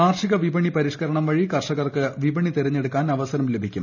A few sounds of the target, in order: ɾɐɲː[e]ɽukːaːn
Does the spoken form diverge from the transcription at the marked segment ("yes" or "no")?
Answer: no